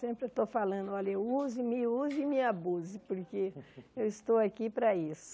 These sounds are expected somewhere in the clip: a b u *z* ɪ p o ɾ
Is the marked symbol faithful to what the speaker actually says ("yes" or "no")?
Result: yes